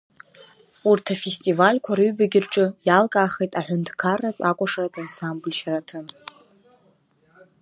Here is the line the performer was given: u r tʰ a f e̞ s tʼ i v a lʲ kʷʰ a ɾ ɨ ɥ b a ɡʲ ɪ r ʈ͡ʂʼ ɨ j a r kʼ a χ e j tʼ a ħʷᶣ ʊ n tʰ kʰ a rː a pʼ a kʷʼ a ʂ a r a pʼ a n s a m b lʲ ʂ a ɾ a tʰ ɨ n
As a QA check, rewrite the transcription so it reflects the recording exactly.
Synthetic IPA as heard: u r tʰ a f e̞ s tʼ i v a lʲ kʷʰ a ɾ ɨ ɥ b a ɡʲ ɪ r ʈ͡ʂʼ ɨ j a l kʼ a χ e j tʼ a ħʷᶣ ʊ n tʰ kʰ a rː a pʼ a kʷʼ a ʂ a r a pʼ a n s a m b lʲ ʃ a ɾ a tʰ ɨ n